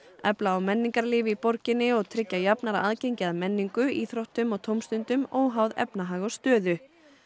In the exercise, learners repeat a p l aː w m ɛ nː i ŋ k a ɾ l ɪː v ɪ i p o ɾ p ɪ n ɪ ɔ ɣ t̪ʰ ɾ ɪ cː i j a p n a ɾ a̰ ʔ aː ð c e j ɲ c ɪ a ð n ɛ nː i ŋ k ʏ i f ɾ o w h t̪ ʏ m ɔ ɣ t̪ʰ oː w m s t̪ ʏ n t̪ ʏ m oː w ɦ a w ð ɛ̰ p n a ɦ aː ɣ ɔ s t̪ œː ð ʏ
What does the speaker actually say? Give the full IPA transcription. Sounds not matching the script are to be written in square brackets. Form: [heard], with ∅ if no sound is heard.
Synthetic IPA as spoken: [ɛ] p l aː w m ɛ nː i ŋ k a ɾ l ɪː v ɪ i p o ɾ [c] ɪ n ɪ ɔ ɣ t̪ʰ ɾ ɪ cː [a] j a p n a ɾ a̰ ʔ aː ð c e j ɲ c ɪ a ð [m] ɛ nː i ŋ k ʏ i [θ] ɾ o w h t̪ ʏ m ɔ ɣ t̪ʰ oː w m s t̪ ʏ n t̪ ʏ m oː w ɦ a w ð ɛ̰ p n a ɦ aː ɣ ɔ s t̪ œː ð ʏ